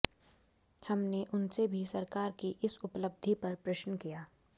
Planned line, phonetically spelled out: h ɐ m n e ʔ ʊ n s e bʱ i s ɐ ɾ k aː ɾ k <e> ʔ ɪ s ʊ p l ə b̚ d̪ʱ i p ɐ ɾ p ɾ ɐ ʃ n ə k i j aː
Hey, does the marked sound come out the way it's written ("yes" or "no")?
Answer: no